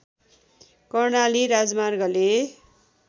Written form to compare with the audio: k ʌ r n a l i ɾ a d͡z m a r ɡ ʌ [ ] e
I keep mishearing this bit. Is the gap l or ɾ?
l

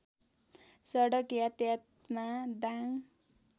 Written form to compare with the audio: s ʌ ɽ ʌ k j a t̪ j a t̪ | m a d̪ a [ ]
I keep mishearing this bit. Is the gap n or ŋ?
ŋ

